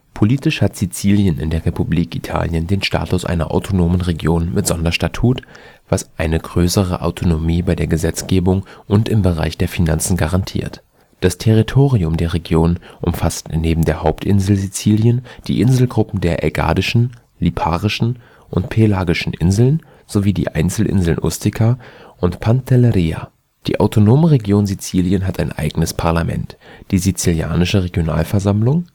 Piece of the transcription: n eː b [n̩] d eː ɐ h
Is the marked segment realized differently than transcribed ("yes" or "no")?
yes